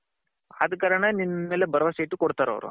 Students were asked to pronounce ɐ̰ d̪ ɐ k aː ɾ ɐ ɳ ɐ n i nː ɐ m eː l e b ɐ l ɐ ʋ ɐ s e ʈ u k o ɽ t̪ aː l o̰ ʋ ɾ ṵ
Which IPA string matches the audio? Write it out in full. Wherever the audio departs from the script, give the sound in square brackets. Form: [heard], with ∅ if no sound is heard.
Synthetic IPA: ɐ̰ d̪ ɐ k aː ɾ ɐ ɳ ɐ n i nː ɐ m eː l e b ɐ [ɾ] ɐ ʋ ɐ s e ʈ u k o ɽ t̪ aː [ɾ] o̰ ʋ ɾ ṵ